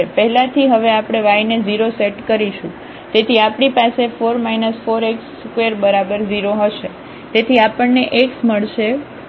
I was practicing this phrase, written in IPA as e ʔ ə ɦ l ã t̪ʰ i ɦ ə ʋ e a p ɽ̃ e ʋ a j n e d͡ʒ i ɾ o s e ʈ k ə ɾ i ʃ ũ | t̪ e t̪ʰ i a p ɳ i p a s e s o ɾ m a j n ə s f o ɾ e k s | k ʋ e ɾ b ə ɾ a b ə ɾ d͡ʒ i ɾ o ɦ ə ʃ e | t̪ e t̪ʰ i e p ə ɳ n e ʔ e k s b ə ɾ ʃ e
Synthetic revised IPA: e p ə ɦ l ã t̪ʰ i ɦ ə ʋ e a p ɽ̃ e ʋ a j n e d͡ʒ i ɾ o s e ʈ k ə ɾ i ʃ ũ | t̪ e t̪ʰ i a p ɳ i p a s e f o ɾ m a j n ə s f o ɾ e k s | k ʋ e ɾ b ə ɾ a b ə ɾ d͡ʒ i ɾ o ɦ ə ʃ e | t̪ e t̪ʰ i a p ə ɳ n e ʔ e k s m ə ɭ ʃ e